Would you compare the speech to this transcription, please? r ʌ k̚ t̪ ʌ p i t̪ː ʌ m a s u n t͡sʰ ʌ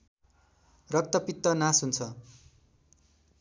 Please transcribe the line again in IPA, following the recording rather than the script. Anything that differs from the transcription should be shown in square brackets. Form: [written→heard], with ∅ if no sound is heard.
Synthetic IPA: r ʌ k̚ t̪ ʌ p i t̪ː ʌ [m→n] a s u n t͡sʰ ʌ